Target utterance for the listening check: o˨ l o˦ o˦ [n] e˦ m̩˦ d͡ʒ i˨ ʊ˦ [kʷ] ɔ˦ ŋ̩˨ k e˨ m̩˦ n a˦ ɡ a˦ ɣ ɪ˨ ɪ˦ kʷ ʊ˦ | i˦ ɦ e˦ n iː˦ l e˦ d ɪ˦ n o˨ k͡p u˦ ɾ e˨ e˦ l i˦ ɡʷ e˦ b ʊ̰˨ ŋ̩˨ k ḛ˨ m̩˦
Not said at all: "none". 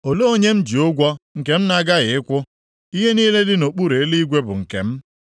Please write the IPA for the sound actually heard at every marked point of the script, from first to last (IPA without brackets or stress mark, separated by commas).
ɲ, ɡʷ